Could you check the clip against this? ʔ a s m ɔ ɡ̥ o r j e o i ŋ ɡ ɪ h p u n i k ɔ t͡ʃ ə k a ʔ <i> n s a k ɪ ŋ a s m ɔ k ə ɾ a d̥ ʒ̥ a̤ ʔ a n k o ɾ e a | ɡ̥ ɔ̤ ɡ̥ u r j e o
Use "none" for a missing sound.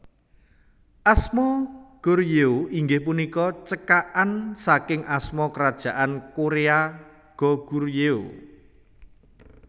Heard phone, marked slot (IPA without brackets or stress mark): a